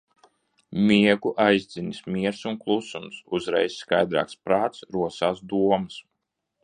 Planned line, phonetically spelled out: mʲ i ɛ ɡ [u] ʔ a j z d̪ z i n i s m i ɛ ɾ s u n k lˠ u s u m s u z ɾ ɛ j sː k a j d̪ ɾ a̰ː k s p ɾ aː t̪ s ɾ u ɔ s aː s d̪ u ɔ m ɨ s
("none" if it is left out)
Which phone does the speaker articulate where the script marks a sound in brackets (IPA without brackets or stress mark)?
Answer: u